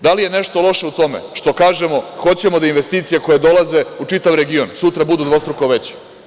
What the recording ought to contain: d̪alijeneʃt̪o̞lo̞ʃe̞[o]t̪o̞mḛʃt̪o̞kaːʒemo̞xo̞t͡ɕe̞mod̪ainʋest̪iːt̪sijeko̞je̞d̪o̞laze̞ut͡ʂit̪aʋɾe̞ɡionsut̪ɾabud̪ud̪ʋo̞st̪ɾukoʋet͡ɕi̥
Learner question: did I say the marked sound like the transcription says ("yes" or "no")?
no